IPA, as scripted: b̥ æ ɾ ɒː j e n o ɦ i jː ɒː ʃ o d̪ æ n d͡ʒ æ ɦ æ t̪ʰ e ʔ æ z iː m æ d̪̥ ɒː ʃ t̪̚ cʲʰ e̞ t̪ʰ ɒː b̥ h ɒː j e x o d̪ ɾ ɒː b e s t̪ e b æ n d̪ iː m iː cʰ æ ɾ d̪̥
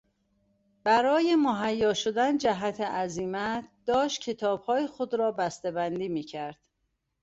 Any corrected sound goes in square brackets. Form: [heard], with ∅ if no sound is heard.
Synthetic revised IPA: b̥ æ ɾ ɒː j e [m] o ɦ [æ] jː ɒː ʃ o d̪ æ n d͡ʒ æ ɦ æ t̪ʰ e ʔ æ z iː m æ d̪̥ ɒː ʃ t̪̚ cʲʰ e̞ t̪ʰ ɒː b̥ h ɒː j e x o d̪ ɾ ɒː b [æ] s t̪ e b æ n d̪ iː m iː cʰ æ ɾ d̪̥